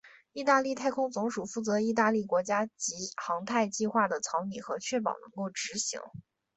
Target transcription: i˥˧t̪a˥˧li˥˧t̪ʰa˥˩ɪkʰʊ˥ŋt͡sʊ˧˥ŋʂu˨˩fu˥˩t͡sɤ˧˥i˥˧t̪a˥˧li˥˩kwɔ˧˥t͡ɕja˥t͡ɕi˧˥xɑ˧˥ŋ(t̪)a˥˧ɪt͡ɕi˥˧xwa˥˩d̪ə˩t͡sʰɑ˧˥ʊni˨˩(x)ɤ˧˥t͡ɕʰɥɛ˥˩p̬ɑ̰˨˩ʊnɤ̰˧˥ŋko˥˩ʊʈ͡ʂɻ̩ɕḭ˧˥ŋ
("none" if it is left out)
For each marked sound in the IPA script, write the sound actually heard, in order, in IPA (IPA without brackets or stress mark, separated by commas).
t̪ʰ, x